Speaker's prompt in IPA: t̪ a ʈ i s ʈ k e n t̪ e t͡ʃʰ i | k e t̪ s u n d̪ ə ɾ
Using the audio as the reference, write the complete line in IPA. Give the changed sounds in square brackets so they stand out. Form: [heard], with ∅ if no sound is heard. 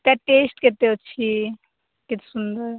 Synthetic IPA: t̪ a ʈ [e] s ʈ k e [∅] t̪ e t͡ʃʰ i | k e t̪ s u n d̪ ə ɾ